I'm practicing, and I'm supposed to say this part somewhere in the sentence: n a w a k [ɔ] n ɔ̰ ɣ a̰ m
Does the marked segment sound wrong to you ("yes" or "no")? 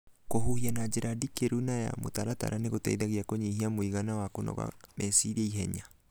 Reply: yes